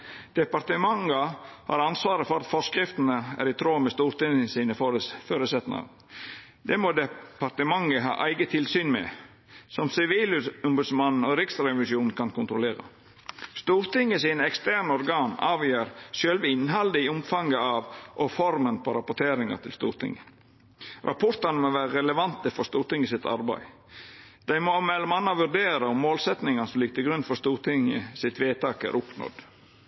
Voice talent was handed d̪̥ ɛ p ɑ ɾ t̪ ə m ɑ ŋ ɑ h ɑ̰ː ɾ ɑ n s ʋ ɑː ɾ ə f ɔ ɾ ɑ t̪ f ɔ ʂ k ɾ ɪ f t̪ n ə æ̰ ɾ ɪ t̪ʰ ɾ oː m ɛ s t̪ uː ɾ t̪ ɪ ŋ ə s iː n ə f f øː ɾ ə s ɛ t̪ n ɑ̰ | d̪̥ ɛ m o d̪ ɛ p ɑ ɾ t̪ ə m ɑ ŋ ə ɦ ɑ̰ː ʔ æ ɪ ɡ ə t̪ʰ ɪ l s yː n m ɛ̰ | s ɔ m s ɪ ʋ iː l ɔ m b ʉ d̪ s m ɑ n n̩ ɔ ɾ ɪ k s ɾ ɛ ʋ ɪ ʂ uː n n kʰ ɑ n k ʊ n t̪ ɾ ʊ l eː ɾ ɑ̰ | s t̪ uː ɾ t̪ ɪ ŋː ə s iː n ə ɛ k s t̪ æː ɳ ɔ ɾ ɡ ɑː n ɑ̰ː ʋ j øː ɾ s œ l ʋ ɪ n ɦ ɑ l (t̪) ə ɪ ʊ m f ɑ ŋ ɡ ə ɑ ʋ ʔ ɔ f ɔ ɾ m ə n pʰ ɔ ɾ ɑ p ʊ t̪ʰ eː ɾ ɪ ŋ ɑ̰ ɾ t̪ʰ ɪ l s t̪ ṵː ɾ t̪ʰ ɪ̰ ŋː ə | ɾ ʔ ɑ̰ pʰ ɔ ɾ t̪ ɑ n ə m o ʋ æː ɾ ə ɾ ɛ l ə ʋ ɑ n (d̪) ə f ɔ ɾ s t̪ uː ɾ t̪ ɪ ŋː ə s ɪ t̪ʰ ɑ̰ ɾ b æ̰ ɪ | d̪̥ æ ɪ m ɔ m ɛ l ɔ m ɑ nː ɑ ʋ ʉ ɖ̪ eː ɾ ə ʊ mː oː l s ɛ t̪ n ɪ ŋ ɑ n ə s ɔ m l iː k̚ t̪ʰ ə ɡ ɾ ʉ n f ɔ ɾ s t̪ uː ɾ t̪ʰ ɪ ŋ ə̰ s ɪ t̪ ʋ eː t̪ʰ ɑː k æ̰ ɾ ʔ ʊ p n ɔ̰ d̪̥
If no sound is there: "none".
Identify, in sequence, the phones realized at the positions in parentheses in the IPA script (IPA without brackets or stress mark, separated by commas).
d̪, t̪